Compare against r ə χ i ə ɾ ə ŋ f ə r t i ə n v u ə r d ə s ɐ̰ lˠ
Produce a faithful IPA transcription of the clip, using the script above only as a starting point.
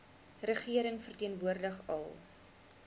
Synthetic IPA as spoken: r ə χ i ə ɾ ə ŋ f ə r t i ə n v u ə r d ə χ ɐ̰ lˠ